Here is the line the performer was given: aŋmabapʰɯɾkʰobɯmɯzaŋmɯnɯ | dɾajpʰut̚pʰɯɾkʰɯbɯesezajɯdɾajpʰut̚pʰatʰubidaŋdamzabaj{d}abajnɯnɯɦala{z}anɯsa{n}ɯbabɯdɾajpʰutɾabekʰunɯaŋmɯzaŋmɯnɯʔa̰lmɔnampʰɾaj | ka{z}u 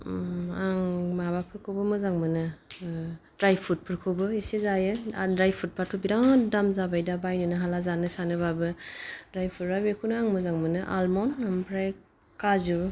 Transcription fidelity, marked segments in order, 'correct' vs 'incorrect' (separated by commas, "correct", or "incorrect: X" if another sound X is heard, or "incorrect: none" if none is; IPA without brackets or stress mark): correct, correct, correct, correct